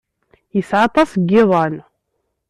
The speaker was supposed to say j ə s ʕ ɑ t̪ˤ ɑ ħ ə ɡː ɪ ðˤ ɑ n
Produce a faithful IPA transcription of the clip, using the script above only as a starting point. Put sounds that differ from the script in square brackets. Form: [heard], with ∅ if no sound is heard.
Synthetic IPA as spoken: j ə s ʕ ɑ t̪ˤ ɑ [s] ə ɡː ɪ ðˤ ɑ n